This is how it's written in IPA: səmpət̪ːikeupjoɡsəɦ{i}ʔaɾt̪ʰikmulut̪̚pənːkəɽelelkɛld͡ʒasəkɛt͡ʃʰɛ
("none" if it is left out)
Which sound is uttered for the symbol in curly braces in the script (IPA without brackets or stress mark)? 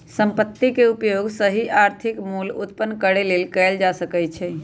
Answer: i